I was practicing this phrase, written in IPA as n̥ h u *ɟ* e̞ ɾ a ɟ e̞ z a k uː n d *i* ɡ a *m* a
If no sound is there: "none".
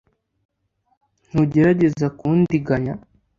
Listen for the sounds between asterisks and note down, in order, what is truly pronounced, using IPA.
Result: ɟ, i, ɲ

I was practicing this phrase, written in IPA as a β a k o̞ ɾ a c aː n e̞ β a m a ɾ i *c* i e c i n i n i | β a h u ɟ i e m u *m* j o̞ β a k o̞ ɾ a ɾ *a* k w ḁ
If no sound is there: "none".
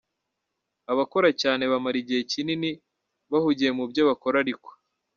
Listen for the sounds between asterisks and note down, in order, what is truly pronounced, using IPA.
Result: ɟ, b, i

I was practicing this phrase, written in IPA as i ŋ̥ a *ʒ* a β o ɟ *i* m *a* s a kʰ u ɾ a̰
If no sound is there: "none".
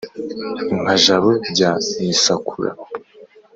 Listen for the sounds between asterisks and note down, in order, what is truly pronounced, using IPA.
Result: ʒ, a, i

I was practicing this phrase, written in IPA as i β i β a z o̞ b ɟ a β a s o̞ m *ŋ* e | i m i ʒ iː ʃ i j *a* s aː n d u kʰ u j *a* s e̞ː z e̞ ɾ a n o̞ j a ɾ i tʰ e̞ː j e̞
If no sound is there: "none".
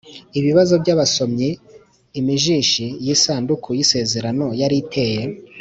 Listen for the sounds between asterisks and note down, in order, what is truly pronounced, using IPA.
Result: ɲ, i, i

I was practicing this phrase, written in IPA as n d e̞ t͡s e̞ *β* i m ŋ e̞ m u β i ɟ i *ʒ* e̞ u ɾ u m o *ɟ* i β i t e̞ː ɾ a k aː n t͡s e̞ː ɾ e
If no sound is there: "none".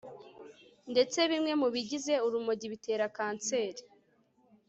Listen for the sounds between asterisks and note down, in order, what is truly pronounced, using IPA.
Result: β, z, ɟ

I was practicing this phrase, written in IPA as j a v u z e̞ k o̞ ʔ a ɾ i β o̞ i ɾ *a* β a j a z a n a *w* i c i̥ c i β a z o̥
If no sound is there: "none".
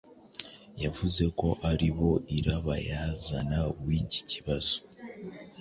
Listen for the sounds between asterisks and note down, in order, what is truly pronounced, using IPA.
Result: a, w

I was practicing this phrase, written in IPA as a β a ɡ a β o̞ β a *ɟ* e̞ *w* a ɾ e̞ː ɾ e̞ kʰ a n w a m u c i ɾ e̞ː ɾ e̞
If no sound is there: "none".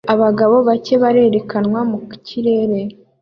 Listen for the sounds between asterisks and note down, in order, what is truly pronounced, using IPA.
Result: c, β

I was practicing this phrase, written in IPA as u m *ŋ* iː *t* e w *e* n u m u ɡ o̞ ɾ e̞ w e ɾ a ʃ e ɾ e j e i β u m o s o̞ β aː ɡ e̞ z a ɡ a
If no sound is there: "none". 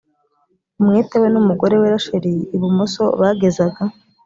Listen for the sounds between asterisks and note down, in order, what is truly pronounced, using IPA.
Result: ŋ, t, e

